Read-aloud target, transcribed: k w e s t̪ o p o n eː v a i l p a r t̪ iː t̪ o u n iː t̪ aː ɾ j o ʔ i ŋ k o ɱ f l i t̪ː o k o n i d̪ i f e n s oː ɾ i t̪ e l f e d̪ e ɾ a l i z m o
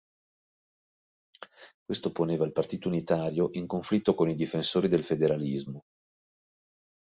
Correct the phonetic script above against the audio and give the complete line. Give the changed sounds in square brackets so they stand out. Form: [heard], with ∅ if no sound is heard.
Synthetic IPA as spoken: k w e s t̪ o p o n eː v a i l p a r t̪ iː t̪ o u n [i] t̪ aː ɾ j o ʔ i ŋ k o ɱ f l i t̪ː o k o n i d̪ i f e n s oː ɾ i [d̪] e l f e d̪ e ɾ a l i z m o